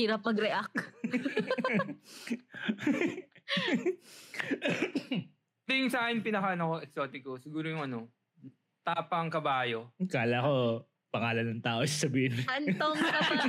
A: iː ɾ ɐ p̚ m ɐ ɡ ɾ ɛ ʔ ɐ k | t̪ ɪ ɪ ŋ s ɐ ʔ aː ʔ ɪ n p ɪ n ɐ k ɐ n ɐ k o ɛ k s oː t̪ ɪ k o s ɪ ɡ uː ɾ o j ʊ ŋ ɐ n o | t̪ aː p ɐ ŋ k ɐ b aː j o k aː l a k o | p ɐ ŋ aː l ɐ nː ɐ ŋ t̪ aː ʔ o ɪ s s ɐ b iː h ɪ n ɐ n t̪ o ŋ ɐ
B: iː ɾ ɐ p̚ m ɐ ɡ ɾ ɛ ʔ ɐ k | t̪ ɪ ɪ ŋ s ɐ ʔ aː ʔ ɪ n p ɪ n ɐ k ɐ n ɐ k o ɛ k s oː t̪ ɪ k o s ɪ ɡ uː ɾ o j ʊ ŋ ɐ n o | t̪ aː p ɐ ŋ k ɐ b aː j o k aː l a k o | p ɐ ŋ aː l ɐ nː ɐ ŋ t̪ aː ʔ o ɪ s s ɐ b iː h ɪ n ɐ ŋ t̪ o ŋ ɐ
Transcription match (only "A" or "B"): A